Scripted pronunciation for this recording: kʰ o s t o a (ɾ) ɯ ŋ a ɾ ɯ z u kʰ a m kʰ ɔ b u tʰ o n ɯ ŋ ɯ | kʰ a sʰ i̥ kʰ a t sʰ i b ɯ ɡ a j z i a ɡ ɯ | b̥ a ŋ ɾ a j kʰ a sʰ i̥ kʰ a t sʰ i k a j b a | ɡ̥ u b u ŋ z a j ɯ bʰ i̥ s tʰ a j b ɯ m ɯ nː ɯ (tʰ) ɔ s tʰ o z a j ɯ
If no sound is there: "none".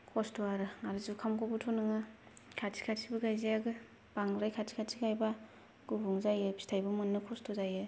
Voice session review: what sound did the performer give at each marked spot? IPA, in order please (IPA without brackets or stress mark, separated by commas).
ɾ, kʰ